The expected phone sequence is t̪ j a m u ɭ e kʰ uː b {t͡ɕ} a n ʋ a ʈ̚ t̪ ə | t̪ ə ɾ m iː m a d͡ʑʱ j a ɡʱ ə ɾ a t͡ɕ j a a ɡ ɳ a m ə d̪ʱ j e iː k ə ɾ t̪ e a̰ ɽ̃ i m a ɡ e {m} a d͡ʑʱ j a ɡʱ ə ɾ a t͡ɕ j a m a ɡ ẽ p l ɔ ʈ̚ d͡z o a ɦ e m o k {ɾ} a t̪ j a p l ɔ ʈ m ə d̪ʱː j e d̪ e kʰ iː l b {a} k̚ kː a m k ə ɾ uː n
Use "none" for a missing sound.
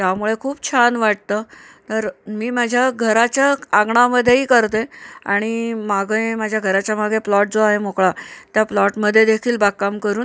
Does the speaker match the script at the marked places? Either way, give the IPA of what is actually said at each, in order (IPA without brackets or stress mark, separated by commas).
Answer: t͡ɕʰ, m, ɭ, a